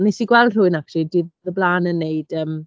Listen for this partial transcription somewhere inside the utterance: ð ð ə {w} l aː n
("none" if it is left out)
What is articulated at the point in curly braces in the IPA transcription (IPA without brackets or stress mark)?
b